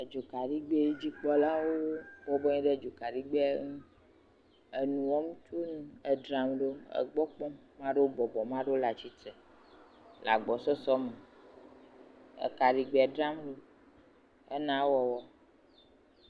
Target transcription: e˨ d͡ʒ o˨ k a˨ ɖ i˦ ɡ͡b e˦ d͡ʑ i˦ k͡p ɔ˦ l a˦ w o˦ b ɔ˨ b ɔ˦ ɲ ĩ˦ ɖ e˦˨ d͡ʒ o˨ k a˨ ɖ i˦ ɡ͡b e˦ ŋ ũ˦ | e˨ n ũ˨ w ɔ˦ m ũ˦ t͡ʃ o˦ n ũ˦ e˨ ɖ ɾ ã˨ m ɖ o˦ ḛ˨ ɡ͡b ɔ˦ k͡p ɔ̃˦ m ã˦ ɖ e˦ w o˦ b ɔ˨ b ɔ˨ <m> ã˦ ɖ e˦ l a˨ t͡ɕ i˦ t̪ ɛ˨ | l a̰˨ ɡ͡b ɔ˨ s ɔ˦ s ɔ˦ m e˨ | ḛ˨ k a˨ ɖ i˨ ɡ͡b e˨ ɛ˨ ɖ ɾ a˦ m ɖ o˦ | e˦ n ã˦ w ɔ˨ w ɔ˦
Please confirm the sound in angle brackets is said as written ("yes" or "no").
yes